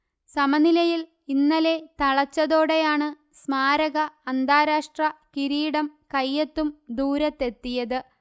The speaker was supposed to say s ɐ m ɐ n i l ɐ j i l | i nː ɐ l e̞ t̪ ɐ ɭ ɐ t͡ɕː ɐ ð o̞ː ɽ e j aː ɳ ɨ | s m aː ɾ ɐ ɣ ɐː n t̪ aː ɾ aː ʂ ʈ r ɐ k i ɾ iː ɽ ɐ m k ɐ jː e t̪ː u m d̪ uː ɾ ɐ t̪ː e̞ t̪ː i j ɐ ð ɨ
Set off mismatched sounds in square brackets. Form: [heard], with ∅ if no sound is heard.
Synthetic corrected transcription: s ɐ m ɐ n i l ɐ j i l | i nː ɐ l e̞ t̪ ɐ ɭ ɐ t͡ɕː ɐ ð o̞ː ɽ e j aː ɳ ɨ | s m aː ɾ ɐ ɣ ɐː n [d̪] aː ɾ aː ʂ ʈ r ɐ k i ɾ iː ɽ ɐ m k ɐ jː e t̪ː u m d̪ uː ɾ ɐ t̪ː e̞ t̪ː i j ɐ ð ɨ